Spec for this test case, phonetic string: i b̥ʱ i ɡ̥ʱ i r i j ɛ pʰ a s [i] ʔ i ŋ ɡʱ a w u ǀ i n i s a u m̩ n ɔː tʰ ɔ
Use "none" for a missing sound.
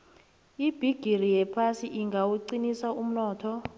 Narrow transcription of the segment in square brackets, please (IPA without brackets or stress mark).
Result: i